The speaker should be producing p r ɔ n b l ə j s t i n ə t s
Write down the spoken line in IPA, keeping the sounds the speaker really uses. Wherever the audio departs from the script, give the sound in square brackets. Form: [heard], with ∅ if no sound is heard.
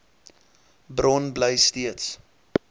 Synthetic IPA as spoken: [b] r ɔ n b l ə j s t i [∅] ə t s

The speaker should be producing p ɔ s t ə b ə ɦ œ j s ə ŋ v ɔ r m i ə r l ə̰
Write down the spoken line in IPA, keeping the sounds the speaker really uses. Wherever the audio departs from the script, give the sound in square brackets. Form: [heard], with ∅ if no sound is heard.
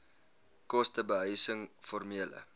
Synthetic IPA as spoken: [k] ɔ s t ə b ə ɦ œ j s ə ŋ [f] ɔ r m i ə [∅] l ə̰

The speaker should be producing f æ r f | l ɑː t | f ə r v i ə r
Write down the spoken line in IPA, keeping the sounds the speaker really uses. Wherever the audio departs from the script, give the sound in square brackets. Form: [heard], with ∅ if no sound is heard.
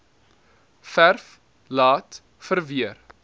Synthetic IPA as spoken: f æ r f | l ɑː t | f ə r v i ə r

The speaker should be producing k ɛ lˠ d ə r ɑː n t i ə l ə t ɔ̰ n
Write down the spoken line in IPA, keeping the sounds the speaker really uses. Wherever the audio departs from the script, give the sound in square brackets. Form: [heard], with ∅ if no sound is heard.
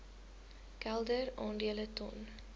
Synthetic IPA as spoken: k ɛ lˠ d ə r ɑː n [d] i ə l ə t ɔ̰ n

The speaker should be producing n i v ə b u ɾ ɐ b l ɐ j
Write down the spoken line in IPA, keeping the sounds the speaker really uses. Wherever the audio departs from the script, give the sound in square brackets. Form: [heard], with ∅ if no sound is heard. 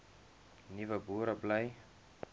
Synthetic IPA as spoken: n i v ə b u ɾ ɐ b l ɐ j

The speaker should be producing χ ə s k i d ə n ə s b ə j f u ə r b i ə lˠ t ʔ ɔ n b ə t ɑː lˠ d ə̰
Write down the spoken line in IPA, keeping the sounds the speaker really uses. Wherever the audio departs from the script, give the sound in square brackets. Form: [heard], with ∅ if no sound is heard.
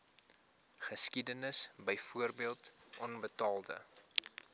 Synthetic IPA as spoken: χ ə s k i d ə n ə s b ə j f u ə r b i ə lˠ t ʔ ɔ n b ə t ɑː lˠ d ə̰

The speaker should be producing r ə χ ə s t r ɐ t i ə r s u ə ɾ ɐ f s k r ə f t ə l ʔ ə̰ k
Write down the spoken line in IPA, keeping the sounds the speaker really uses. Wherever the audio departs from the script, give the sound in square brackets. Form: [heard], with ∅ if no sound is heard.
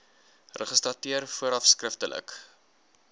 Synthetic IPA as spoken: r ə χ ə s t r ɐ t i ə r [f] u ə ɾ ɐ f s k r ə f t ə l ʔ ə̰ k

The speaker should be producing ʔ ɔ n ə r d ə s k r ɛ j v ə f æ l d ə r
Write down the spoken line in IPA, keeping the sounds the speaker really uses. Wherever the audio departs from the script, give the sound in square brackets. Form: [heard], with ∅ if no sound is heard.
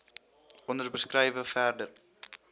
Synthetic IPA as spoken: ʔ ɔ n ə r [b] ə s k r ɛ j v ə f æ [r] d ə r

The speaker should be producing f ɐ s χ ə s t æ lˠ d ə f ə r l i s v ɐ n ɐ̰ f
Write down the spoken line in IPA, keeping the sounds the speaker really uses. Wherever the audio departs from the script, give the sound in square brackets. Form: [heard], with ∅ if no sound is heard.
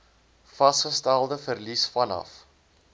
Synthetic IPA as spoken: f ɐ s χ ə s t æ lˠ d ə f ə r l i s [f] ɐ n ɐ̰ f

